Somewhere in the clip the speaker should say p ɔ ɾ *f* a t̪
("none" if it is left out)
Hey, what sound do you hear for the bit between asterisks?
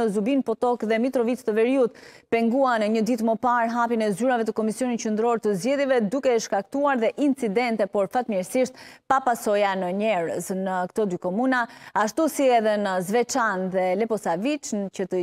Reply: f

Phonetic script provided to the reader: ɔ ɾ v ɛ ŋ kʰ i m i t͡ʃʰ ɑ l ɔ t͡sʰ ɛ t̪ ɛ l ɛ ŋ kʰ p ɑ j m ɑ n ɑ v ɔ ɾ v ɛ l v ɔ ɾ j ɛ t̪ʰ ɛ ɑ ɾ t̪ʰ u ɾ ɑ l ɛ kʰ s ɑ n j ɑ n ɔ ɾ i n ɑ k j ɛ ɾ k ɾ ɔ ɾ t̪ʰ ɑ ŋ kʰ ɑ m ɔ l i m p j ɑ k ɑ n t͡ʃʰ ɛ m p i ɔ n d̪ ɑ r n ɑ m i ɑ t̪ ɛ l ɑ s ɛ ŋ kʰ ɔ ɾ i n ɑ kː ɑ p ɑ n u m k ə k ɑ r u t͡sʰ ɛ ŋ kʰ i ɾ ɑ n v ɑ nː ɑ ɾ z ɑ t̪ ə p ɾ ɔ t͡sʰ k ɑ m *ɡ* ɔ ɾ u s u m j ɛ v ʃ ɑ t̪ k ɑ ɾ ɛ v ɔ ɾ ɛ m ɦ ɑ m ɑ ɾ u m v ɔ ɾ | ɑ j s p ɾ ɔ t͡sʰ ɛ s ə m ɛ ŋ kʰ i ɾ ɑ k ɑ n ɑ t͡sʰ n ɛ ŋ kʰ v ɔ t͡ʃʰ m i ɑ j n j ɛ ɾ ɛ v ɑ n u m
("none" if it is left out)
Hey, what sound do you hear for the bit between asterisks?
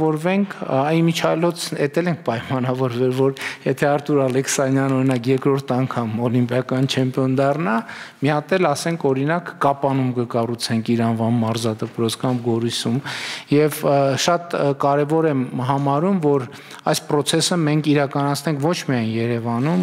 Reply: ɡ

